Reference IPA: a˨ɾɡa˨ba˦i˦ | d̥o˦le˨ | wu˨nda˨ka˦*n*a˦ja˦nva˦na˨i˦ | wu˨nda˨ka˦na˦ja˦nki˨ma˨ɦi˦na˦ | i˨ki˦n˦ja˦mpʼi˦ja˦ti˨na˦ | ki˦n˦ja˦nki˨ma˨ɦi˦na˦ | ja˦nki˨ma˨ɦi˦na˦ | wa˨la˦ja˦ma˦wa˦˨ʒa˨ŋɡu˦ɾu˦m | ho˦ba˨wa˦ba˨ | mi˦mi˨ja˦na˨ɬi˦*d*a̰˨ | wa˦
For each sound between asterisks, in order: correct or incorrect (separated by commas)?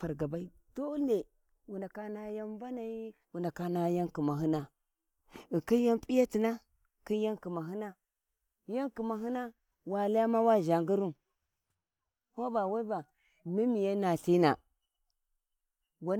correct, incorrect